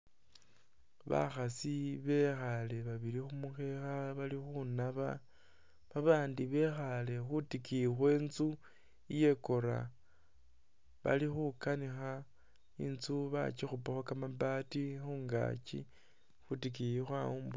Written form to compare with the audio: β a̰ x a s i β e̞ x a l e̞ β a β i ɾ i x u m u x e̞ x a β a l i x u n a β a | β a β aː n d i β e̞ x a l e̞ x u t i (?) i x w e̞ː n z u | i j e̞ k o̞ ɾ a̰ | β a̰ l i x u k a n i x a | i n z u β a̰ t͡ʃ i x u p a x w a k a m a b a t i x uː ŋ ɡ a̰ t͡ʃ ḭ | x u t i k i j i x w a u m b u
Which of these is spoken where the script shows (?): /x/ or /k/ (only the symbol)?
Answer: k